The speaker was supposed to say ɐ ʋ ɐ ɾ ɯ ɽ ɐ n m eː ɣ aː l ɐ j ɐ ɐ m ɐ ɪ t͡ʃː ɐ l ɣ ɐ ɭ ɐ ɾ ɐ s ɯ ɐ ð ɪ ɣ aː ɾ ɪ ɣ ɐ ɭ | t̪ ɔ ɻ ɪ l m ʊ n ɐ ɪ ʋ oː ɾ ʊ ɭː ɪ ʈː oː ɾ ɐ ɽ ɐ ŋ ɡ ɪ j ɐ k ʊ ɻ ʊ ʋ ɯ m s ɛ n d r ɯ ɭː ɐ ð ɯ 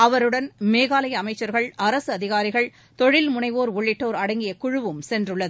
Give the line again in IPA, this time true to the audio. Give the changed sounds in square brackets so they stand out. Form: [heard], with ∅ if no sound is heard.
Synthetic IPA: ɐ ʋ ɐ ɾ ɯ ɽ ɐ n m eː ɣ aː l ɐ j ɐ ɐ m ɐ ɪ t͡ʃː ɐ [ɾ] ɣ ɐ ɭ ɐ ɾ ɐ s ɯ ɐ ð ɪ ɣ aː ɾ ɪ ɣ ɐ ɭ | t̪ ɔ ɻ ɪ l m ʊ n ɐ ɪ ʋ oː ɾ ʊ ɭː ɪ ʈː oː ɾ ɐ ɽ ɐ ŋ ɡ ɪ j ɐ k ʊ ɻ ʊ ʋ ɯ m s ɛ n d r ɯ ɭː ɐ ð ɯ